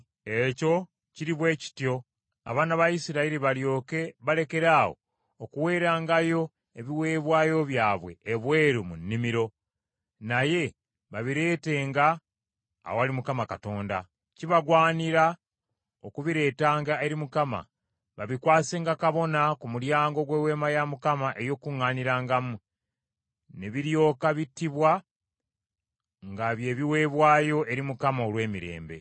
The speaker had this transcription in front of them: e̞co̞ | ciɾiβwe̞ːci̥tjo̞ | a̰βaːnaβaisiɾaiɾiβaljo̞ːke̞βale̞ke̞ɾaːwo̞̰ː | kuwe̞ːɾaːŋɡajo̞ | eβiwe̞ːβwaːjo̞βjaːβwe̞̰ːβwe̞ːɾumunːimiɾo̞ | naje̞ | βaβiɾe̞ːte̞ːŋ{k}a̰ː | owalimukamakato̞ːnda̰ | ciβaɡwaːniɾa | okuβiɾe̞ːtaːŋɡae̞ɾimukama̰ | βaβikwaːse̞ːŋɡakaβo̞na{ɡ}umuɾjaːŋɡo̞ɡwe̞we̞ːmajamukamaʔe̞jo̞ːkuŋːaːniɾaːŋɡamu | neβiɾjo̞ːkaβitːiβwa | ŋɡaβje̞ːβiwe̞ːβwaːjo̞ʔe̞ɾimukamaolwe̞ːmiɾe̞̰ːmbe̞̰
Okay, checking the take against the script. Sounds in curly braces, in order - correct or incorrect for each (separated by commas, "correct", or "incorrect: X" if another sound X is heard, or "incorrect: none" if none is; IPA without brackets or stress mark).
incorrect: ɡ, incorrect: k